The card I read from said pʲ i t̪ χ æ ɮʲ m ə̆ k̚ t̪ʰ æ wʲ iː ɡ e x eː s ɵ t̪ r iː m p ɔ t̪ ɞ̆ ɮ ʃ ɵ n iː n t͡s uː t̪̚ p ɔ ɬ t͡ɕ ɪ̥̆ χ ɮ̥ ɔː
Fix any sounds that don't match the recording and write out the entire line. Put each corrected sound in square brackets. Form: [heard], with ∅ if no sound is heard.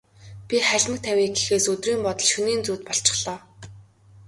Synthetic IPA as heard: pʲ i [∅] χ æ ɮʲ m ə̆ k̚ t̪ʰ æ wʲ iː ɡ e x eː s ɵ t̪ r iː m p ɔ t̪ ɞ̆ ɮ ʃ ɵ n iː n t͡s uː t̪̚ p ɔ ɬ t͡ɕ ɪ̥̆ χ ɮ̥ ɔː